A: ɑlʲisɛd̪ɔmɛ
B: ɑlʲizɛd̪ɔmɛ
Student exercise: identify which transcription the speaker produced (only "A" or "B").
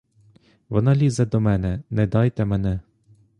B